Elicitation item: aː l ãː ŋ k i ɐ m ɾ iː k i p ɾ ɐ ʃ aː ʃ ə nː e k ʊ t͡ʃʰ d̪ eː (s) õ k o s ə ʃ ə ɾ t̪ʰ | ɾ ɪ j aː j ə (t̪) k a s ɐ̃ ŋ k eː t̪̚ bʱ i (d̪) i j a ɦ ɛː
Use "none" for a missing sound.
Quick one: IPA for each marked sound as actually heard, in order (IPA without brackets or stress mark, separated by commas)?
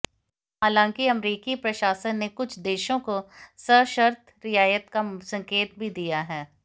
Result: ʃ, t̪, d̪